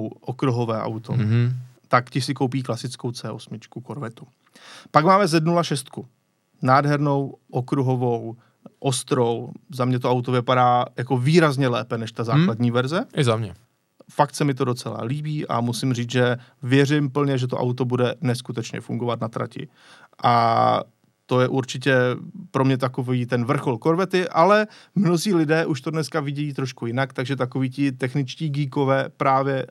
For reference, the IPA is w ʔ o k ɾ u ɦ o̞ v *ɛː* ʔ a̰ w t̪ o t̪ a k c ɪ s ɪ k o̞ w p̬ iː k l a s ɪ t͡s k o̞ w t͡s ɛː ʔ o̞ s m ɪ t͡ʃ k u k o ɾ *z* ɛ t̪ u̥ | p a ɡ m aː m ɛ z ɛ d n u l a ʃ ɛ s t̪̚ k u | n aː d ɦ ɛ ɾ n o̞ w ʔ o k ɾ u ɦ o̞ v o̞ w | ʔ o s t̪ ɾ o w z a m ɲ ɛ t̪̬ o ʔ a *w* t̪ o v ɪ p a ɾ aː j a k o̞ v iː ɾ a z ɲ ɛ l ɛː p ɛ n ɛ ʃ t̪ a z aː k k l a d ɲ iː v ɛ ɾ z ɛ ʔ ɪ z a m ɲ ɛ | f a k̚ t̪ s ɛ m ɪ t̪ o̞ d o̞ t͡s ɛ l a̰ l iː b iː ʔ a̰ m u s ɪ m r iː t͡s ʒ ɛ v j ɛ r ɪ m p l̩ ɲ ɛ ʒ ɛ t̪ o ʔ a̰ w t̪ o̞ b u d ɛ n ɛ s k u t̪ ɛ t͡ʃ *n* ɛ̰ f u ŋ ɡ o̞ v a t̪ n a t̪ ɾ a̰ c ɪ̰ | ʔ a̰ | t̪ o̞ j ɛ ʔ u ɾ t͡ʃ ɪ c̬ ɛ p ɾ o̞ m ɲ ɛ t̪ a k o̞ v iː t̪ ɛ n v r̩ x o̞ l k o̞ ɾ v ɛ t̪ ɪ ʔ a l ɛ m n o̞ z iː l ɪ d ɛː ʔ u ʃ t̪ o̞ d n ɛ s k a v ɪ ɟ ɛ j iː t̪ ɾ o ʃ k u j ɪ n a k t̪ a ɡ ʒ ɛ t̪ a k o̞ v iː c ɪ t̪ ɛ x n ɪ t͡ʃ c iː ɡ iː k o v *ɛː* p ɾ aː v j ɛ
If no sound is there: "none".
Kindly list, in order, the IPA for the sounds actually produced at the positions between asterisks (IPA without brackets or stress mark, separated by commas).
ɛː, v, w, ɲ, ɛː